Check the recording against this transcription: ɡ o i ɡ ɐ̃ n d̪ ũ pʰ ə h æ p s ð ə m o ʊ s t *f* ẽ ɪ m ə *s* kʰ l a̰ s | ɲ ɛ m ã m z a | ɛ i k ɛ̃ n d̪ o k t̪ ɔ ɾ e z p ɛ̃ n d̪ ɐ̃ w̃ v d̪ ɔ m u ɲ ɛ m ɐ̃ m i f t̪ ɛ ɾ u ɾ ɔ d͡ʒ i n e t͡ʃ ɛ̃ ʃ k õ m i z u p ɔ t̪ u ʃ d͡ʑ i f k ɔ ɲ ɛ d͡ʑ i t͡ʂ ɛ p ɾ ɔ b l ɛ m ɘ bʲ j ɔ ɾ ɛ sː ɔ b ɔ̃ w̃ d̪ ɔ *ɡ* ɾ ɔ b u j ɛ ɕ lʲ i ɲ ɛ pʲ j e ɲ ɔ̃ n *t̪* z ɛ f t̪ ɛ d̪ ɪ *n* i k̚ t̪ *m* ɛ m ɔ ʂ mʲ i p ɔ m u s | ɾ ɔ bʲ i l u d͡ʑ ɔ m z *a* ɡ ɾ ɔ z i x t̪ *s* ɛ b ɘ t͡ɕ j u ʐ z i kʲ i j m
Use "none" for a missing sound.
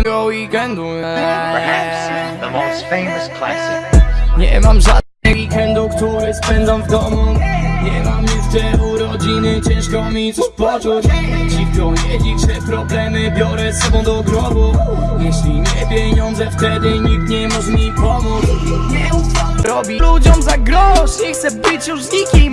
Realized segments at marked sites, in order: f, s, ɡ, d̪, ɲ, ɲ, a, s

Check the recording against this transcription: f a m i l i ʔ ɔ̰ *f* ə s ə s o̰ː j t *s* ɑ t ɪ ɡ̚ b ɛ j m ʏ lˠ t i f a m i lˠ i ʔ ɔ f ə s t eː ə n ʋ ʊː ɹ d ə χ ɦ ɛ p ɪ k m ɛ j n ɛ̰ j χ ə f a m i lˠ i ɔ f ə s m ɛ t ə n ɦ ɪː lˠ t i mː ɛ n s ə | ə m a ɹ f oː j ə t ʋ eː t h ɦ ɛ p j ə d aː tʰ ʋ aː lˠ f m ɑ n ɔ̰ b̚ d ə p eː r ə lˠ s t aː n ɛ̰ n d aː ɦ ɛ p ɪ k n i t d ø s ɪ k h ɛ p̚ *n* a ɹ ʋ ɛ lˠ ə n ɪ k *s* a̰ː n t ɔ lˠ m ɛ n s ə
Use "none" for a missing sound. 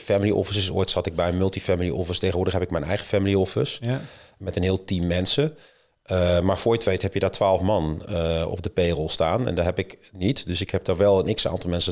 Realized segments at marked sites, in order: f, s, d, s

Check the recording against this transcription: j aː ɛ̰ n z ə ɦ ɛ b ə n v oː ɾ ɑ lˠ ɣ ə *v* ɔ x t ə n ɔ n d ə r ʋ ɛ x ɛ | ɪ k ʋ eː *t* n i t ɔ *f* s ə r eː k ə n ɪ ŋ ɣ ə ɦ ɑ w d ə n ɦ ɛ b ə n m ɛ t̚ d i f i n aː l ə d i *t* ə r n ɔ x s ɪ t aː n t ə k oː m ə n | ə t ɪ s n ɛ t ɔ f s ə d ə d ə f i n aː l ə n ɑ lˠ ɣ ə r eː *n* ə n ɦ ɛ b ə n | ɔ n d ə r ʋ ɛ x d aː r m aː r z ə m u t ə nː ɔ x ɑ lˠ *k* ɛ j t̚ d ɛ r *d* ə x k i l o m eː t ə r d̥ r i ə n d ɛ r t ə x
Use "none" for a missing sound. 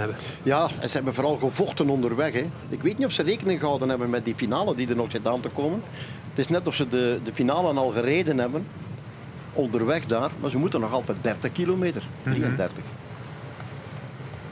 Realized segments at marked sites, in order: v, t, f, d, d, t, t

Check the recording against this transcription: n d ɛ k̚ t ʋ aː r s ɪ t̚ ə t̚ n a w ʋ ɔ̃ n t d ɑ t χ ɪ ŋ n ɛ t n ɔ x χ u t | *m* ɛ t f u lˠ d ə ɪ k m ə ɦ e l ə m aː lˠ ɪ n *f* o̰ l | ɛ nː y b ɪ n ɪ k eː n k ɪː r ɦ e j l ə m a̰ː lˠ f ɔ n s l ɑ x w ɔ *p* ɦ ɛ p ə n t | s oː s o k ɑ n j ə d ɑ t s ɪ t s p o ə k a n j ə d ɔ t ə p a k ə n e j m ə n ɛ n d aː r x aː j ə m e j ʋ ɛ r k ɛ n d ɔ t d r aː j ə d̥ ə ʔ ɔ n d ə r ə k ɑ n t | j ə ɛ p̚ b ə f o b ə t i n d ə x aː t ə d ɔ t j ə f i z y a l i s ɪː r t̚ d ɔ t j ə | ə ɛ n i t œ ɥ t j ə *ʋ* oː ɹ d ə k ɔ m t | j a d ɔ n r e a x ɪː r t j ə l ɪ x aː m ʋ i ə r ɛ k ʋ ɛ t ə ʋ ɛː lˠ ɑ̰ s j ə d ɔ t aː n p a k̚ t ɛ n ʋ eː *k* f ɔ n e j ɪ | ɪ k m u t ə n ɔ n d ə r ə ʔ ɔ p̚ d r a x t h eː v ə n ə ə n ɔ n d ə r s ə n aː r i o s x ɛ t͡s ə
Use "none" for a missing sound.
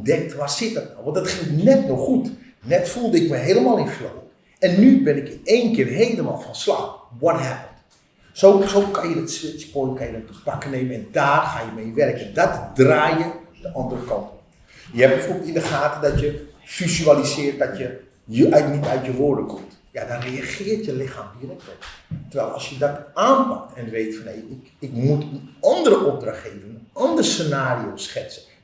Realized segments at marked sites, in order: n, f, t, ʋ, t

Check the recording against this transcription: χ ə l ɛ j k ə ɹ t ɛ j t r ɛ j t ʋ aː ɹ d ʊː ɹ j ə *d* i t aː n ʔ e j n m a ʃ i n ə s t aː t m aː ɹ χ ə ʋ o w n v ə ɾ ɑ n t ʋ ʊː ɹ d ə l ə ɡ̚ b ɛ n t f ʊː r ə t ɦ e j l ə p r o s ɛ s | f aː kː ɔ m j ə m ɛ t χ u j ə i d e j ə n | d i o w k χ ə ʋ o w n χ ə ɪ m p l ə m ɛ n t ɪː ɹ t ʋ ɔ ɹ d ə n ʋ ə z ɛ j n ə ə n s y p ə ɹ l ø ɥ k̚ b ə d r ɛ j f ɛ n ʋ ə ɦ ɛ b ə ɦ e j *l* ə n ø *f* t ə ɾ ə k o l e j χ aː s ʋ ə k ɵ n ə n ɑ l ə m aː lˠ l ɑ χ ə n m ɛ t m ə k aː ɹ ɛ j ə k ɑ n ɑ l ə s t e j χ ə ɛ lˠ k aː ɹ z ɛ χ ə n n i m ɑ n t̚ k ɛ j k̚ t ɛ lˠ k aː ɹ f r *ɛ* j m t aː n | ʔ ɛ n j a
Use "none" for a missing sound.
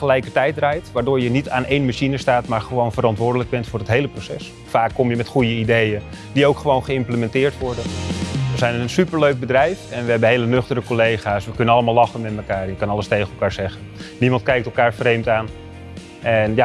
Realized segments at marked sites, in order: n, l, χ, e

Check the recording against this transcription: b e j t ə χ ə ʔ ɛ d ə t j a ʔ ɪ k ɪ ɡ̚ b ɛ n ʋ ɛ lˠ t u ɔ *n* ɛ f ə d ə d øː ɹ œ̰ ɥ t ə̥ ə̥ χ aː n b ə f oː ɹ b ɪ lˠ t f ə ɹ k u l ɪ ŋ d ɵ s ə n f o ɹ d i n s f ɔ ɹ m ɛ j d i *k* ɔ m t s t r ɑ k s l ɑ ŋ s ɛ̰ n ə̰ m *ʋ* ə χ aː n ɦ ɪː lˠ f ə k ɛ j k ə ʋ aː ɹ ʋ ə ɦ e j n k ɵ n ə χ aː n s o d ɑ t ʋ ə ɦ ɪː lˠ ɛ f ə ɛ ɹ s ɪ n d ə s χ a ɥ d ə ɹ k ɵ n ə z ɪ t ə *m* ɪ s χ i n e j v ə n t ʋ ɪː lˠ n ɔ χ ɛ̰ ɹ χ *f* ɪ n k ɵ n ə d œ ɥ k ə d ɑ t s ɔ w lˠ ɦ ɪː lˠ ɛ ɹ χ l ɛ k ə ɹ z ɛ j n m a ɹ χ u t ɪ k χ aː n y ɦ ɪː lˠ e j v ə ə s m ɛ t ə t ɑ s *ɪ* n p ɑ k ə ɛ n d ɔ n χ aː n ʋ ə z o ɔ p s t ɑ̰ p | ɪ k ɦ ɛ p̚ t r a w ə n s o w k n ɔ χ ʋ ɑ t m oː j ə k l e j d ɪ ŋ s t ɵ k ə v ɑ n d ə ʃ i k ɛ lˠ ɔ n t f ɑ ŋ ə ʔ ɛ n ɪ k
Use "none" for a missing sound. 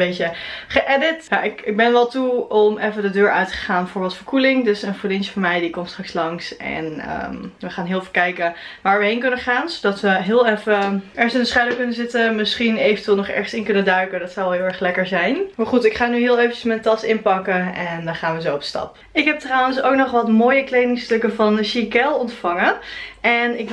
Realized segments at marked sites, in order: m, k, ʋ, m, s, ɪ

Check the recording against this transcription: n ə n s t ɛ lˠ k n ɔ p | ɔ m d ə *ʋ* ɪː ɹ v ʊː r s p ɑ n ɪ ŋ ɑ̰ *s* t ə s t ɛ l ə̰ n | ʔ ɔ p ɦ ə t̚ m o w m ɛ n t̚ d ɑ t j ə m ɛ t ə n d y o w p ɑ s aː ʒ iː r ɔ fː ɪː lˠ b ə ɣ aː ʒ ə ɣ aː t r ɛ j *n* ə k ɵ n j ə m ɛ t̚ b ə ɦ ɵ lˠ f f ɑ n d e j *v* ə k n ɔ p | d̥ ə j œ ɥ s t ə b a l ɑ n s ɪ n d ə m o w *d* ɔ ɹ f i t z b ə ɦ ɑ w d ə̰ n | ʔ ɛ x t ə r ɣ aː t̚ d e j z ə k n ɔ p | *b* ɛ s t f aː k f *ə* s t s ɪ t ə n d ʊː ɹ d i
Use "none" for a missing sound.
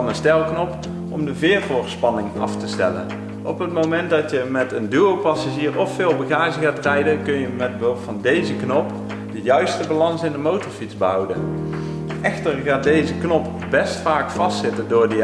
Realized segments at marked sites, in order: v, f, d, z, t, b, ɑ

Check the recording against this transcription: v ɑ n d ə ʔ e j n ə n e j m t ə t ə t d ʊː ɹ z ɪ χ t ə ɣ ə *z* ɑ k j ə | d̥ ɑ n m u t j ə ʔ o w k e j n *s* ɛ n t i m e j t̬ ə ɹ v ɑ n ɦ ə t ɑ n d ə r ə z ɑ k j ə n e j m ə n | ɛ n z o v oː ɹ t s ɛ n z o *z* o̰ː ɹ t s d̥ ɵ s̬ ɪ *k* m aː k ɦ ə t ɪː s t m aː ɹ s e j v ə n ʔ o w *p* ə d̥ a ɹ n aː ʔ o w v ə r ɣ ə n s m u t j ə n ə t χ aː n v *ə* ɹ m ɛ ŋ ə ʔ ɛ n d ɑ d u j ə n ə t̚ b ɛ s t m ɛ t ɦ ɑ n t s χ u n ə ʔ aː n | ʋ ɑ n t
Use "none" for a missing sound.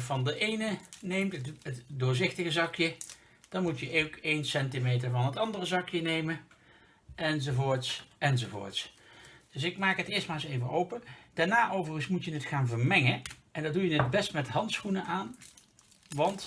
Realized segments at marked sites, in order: z, s, v, k, p, ə

